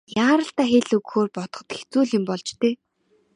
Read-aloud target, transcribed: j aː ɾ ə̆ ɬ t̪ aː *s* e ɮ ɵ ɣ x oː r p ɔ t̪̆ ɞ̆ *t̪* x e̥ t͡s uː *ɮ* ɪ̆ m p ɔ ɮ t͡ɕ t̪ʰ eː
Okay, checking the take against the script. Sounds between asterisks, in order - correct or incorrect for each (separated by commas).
incorrect, correct, correct